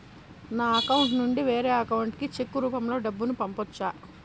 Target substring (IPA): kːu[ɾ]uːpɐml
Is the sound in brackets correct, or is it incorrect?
correct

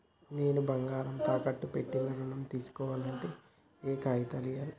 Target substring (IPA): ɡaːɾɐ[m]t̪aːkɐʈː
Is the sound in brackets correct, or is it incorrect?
correct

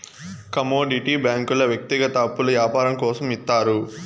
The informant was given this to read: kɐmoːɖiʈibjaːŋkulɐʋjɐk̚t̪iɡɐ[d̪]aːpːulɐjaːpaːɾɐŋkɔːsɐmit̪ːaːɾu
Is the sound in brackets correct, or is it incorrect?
incorrect: t̪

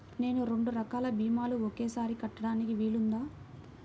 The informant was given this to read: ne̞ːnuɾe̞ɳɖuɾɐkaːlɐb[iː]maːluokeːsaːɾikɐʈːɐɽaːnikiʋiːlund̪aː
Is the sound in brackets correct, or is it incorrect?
correct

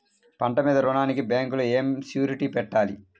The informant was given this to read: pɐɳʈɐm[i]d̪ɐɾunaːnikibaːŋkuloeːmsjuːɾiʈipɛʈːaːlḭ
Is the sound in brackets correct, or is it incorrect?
incorrect: iː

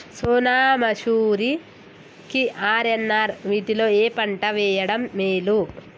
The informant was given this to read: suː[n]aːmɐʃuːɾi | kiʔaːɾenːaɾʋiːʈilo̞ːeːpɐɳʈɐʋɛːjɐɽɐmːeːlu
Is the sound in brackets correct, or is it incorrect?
correct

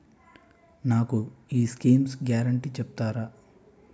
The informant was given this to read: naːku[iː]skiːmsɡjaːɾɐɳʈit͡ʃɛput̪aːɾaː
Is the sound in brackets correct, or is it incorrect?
correct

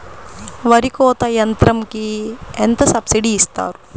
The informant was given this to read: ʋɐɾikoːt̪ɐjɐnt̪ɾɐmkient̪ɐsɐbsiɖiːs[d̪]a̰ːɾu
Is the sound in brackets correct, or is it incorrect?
incorrect: t̪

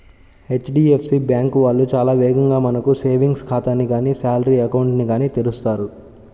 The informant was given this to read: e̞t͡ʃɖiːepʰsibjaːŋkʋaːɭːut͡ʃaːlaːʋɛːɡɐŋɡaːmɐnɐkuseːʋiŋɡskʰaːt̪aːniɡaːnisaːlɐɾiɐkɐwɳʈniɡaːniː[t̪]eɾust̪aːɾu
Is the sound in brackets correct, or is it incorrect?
correct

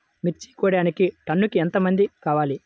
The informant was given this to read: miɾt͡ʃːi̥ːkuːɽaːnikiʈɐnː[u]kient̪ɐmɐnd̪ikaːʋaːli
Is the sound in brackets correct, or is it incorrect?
correct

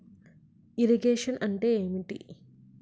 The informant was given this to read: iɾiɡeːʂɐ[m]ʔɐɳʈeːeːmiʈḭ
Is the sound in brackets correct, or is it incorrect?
incorrect: n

